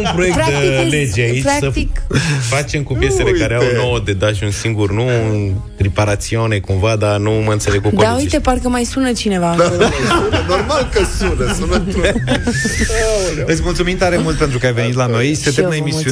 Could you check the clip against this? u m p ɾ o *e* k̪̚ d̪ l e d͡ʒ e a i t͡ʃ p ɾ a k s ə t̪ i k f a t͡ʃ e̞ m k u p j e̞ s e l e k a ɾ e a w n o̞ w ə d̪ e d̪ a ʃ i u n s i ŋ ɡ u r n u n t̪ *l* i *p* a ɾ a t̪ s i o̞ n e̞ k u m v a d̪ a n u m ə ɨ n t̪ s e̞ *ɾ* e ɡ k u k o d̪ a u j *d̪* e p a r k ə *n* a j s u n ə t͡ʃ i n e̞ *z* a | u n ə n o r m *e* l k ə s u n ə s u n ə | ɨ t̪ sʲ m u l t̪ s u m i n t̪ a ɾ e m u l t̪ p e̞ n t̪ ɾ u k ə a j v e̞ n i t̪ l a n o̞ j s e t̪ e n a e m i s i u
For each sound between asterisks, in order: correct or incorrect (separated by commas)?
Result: correct, incorrect, correct, incorrect, incorrect, incorrect, incorrect, incorrect